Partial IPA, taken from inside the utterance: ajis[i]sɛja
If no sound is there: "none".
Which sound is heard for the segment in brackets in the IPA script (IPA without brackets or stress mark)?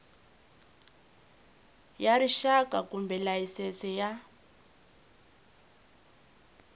ɛ